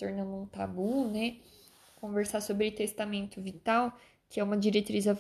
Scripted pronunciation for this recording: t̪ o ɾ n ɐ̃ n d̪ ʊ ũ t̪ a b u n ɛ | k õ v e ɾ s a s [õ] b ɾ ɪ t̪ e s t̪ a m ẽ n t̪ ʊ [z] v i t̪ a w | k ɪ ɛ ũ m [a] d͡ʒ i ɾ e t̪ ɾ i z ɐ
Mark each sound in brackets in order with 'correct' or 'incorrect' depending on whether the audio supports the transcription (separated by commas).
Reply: incorrect, incorrect, incorrect